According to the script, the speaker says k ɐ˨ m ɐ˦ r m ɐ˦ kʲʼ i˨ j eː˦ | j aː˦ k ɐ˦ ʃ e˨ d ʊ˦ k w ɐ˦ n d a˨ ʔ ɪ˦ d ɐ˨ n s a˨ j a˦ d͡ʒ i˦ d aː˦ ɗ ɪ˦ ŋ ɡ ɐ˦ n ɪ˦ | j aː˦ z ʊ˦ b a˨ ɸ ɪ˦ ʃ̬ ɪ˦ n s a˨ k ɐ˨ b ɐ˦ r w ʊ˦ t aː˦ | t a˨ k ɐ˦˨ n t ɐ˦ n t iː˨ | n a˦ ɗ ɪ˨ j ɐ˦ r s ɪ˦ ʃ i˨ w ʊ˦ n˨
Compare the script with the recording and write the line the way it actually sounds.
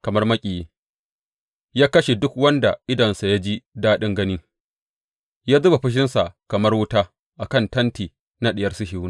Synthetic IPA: k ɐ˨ m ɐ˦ r m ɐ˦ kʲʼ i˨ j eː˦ | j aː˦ k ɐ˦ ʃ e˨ d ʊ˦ k w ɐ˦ n d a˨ ʔ ɪ˦ d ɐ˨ n s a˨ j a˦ d͡ʒ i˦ d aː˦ ɗ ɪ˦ ŋ ɡ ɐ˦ n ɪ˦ | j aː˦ z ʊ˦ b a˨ ɸ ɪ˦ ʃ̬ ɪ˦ n s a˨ k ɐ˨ m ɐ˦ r w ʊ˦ t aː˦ | ʔ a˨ k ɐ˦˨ n t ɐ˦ n t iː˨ | n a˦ ɗ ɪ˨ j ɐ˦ r s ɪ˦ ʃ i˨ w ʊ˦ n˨